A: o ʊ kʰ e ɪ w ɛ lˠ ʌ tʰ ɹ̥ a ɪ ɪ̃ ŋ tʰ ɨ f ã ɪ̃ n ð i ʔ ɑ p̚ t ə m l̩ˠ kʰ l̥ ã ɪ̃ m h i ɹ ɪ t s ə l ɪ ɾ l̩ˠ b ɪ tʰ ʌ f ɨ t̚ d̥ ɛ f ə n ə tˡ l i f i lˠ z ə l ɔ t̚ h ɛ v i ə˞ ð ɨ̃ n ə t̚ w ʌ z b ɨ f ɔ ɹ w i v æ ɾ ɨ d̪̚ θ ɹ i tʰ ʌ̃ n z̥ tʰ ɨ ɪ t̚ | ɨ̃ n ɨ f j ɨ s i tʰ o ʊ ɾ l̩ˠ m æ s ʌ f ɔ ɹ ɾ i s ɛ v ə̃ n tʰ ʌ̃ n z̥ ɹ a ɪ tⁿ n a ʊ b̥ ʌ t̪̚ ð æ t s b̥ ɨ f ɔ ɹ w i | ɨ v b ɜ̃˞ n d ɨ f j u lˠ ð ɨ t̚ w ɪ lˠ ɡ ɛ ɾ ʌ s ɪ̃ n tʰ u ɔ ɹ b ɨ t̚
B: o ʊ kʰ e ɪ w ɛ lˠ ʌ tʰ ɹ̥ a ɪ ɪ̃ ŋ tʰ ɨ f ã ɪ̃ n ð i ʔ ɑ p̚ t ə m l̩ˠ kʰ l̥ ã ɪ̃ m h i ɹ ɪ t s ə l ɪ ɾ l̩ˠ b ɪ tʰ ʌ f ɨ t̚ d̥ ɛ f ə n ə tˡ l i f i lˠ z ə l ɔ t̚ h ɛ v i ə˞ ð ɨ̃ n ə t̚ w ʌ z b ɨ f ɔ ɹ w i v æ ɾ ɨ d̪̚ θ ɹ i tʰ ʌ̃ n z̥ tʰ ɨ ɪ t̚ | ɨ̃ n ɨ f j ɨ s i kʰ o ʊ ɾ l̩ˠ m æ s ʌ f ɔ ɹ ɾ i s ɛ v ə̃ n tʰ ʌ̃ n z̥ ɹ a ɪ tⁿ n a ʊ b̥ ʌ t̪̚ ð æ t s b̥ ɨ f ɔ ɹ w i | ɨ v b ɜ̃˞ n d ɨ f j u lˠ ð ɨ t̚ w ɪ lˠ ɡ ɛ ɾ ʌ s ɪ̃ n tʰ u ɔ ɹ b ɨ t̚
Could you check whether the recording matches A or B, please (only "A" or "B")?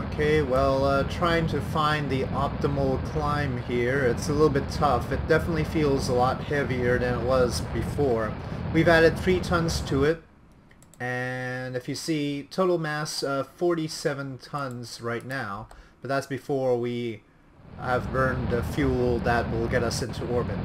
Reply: A